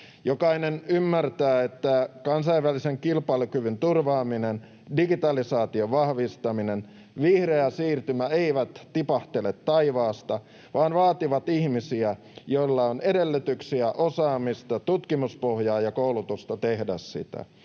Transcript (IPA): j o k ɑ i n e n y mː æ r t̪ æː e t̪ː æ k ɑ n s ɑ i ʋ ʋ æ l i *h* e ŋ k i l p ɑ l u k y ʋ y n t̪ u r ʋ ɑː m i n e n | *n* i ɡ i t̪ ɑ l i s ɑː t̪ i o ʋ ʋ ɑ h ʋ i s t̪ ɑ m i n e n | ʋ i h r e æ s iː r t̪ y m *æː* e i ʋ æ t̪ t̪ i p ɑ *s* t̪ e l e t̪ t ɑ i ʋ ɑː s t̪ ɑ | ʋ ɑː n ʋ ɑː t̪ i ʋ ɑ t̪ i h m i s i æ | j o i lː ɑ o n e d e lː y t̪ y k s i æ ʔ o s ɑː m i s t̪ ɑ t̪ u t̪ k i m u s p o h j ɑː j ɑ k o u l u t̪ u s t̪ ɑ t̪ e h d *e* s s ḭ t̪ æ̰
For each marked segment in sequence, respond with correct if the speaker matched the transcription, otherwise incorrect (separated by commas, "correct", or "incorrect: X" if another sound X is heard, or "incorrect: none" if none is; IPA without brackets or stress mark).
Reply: incorrect: s, incorrect: d, incorrect: æ, incorrect: h, incorrect: æ